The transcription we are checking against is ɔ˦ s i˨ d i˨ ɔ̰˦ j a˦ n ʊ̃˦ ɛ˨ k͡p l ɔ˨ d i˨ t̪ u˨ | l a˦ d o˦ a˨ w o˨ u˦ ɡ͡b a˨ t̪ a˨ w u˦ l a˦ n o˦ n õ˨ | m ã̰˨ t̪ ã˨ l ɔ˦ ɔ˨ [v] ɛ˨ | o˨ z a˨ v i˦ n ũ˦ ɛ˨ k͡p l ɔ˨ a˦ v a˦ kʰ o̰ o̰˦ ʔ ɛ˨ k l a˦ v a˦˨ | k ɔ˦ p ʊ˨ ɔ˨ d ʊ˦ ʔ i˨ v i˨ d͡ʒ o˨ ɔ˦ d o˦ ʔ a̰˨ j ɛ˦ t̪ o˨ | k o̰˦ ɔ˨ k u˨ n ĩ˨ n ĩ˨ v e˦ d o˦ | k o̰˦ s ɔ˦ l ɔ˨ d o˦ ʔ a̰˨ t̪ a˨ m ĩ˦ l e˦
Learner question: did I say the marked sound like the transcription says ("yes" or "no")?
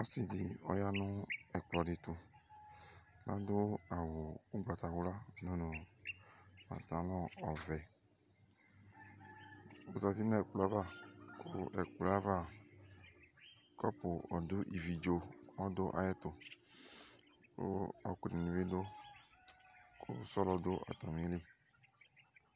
yes